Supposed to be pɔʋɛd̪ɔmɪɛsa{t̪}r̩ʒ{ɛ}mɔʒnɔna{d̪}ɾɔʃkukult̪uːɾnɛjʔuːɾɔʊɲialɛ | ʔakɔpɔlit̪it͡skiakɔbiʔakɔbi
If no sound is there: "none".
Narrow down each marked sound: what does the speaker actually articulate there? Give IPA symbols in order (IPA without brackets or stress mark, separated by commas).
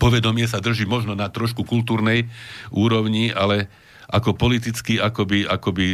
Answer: d̪, i, t̪